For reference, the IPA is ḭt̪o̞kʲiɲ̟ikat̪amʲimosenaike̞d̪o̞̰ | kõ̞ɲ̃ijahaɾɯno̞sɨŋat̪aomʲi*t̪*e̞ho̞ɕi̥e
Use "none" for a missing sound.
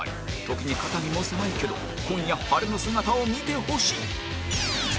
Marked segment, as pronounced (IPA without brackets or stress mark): t̪